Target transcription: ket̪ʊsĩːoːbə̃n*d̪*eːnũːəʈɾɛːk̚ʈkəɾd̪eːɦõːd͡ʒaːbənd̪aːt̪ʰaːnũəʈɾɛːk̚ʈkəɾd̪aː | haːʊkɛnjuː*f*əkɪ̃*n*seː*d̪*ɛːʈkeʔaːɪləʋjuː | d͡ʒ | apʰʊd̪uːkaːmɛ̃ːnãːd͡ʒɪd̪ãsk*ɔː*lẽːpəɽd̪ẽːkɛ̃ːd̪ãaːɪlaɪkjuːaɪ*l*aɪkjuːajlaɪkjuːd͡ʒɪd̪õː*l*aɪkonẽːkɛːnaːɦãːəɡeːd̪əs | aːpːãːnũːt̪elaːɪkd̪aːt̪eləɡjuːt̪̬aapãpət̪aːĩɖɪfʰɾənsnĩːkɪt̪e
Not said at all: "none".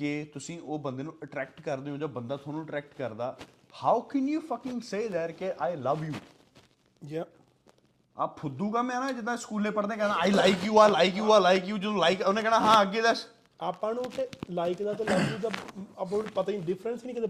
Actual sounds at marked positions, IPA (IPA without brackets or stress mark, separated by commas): d̪, f, ŋ, d̪, uː, l, l